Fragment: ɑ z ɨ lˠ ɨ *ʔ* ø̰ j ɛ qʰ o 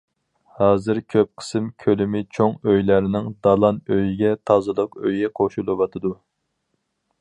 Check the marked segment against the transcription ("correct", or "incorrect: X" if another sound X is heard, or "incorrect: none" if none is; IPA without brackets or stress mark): incorrect: q